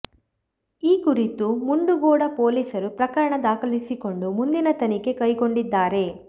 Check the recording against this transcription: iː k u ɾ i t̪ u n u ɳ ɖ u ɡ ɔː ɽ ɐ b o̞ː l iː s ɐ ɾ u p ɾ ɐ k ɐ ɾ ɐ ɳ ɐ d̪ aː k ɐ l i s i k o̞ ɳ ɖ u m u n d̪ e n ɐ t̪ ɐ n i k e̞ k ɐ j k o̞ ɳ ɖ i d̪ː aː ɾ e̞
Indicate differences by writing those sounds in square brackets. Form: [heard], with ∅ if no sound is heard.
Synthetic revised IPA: iː k u ɾ i t̪ u [m] u ɳ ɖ u ɡ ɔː ɽ ɐ [p] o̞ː l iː s ɐ ɾ u p ɾ ɐ k ɐ ɾ ɐ ɳ ɐ d̪ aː k ɐ l i s i k o̞ ɳ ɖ u m u n d̪ [i] n ɐ t̪ ɐ n i k e̞ k ɐ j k o̞ ɳ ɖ i d̪ː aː ɾ e̞